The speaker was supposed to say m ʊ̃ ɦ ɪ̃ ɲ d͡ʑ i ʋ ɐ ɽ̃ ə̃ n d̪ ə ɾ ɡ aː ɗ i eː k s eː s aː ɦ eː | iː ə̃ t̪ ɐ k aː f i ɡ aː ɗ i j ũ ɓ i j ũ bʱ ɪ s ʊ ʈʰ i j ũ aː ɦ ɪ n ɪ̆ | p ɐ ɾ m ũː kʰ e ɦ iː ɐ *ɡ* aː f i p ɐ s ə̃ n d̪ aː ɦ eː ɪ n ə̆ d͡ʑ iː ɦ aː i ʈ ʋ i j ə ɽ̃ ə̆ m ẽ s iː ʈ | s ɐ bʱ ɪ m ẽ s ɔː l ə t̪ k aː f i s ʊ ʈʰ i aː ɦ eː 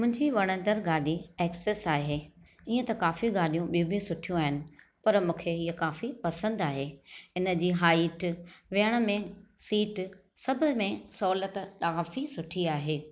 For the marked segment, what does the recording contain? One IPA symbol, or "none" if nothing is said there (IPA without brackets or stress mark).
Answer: k